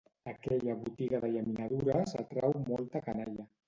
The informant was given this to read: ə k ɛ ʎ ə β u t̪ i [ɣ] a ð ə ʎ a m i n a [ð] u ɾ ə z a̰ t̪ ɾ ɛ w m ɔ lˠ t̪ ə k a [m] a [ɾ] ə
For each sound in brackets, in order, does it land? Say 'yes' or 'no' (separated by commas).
yes, yes, no, no